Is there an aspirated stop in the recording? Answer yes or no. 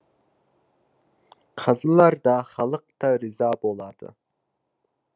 yes